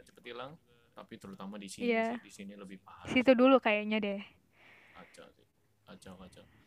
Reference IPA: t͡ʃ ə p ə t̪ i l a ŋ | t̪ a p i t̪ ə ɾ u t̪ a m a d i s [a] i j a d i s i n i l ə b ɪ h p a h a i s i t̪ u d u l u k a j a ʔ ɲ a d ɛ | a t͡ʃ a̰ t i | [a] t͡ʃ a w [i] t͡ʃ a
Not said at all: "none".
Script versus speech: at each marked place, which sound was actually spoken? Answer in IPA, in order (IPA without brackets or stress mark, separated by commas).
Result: i, a, a